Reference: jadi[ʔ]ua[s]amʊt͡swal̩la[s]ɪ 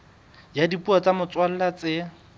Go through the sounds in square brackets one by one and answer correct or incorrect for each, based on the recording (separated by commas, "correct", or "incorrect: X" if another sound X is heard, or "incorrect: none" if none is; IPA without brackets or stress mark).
incorrect: p, incorrect: t͡s, incorrect: t͡s